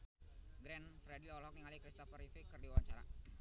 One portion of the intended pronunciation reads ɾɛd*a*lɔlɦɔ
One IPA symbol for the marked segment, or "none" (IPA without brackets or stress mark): i